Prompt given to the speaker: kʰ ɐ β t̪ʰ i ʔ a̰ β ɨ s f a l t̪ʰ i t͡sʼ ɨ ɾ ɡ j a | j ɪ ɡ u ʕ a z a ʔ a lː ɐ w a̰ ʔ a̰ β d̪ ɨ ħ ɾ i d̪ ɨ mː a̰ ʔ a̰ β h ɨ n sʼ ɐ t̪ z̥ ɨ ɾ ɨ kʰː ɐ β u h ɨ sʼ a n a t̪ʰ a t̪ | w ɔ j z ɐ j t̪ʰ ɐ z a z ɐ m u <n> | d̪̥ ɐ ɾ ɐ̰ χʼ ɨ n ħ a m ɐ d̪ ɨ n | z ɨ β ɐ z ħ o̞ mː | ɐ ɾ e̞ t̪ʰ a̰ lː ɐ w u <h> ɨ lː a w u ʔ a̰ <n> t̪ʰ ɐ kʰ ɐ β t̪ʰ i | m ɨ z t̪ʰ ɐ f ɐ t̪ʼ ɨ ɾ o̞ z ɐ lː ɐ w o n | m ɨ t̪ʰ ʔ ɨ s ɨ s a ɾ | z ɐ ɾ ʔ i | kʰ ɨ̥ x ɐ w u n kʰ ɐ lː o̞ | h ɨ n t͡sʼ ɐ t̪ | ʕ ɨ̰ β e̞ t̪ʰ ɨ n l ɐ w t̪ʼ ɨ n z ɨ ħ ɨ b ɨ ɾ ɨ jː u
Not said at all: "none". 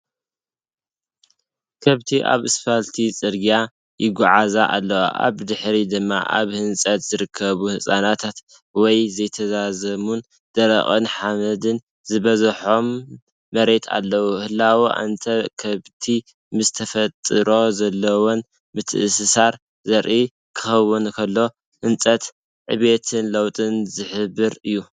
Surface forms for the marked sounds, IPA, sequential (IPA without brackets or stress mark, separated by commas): n, h, n